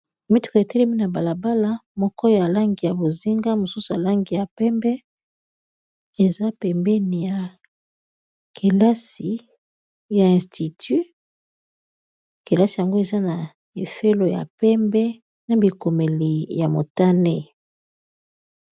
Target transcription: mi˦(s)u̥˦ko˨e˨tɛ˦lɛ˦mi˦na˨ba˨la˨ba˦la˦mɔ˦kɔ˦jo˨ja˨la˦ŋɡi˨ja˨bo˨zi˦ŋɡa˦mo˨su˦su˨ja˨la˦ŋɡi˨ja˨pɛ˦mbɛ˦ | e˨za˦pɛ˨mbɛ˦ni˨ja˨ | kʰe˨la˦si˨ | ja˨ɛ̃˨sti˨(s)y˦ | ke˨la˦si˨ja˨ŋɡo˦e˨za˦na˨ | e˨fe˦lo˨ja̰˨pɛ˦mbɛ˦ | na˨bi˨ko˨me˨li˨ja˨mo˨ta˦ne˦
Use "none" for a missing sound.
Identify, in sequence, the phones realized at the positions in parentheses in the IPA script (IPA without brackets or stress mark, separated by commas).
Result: t, t